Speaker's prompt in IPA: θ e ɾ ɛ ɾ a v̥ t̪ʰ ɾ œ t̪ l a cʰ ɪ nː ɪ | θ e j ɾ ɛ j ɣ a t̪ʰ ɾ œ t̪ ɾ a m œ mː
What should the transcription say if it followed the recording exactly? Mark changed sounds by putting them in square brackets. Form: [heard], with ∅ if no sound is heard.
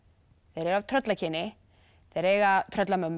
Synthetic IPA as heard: θ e ɾ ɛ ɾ a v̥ t̪ʰ ɾ œ t̪ l a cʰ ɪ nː ɪ | θ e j ɾ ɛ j ɣ a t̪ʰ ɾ œ t̪ [l] a m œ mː